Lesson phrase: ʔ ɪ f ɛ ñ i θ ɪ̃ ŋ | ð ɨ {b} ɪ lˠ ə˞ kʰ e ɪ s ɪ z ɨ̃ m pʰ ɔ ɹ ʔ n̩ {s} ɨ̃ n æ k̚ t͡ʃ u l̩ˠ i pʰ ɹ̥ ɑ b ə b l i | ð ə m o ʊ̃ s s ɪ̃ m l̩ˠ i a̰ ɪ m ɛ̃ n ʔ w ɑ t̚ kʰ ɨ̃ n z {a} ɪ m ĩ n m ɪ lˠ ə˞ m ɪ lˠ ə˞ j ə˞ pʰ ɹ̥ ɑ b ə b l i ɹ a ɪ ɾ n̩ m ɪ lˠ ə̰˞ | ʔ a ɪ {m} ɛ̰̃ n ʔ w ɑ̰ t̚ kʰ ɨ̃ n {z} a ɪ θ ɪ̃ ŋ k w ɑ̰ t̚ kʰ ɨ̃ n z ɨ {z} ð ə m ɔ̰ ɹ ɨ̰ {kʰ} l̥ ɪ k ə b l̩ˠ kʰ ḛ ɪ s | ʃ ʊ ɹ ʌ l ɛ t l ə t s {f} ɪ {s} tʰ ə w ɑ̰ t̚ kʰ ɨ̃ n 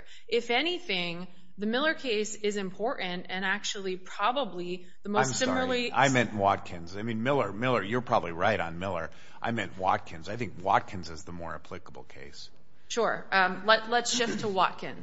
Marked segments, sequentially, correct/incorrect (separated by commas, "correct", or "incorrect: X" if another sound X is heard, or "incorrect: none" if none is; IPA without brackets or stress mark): incorrect: m, incorrect: t, correct, correct, correct, correct, incorrect: pʰ, incorrect: ʃ, incorrect: f